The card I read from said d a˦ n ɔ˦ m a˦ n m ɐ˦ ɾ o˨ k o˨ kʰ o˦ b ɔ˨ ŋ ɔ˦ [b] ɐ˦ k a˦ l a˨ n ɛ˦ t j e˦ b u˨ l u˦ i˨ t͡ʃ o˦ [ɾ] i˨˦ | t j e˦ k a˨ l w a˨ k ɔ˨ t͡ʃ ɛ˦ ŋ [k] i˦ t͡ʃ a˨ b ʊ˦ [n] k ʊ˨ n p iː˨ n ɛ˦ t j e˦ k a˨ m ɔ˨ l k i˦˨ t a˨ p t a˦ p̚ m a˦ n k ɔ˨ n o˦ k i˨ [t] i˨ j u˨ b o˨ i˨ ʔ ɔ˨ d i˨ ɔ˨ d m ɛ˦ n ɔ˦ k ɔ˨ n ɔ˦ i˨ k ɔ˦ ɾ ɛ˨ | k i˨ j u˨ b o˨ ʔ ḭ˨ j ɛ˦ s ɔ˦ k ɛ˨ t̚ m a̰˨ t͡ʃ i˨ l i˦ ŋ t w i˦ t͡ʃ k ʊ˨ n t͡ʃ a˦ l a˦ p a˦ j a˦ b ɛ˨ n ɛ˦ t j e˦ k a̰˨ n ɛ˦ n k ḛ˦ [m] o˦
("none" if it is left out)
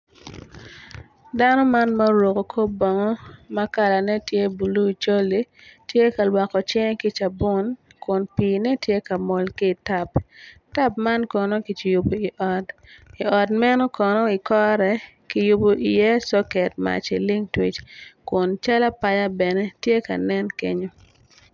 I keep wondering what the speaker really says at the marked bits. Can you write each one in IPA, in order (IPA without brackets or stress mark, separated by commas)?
m, l, k, n, t͡ʃ, ɲ